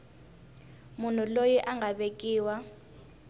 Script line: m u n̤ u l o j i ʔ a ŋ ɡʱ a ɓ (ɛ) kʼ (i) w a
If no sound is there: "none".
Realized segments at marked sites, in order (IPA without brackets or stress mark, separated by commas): e, iː